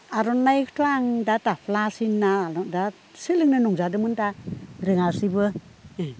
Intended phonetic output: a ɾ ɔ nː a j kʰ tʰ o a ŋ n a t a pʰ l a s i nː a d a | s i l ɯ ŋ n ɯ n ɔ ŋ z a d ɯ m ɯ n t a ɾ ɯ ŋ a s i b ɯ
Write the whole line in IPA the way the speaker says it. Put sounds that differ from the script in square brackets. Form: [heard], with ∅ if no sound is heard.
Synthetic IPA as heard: a ɾ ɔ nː a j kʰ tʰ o a ŋ [d] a t a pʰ l a s i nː a d a | s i l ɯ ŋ n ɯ n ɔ ŋ z a d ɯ m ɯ n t a ɾ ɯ ŋ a s i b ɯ